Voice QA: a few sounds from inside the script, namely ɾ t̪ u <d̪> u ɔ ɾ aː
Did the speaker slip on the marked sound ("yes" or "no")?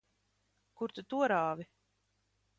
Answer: yes